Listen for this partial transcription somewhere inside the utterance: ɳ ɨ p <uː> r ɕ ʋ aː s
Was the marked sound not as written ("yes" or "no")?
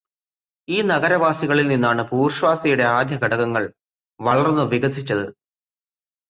no